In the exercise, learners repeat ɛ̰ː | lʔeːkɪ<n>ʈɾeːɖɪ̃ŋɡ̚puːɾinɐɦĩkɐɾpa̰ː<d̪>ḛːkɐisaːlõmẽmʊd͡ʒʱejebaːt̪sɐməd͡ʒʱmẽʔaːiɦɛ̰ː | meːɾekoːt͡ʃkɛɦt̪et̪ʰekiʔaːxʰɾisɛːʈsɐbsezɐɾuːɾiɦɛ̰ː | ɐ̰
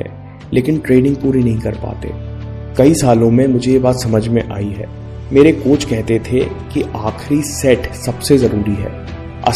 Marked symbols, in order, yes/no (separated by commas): yes, no